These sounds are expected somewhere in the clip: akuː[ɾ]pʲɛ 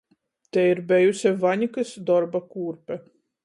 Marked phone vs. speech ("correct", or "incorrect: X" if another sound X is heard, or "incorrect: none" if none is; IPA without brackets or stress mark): correct